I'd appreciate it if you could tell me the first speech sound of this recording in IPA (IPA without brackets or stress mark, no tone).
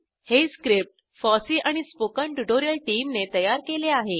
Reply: h